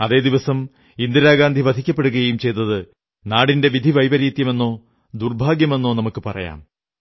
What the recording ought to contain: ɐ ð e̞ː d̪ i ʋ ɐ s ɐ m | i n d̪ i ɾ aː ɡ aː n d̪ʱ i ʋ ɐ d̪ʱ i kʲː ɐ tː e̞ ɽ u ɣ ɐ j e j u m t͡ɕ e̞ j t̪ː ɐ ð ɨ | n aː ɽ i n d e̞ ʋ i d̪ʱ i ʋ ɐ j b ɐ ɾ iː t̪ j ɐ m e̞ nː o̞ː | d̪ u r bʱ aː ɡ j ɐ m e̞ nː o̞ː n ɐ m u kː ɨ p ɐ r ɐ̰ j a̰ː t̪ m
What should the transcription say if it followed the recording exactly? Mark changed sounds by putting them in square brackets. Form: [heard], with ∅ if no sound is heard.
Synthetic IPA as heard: ɐ ð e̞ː d̪ i ʋ ɐ s ɐ m | i n d̪ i ɾ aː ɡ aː n d̪ʱ i ʋ ɐ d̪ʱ i kʲː ɐ [pː] e̞ ɽ u ɣ ɐ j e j u m t͡ɕ e̞ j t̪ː ɐ ð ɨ | n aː ɽ i n d e̞ ʋ i d̪ʱ i ʋ ɐ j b ɐ ɾ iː t̪ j ɐ m e̞ nː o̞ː | d̪ u r bʱ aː ɡ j ɐ m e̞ nː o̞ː n ɐ m u kː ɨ p ɐ r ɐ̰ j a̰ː [∅] m